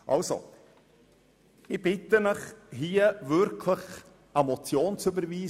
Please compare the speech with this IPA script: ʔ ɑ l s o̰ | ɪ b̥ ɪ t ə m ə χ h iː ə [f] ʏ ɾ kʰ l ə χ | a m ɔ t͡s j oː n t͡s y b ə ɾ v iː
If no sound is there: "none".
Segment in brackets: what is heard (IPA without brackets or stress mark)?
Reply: v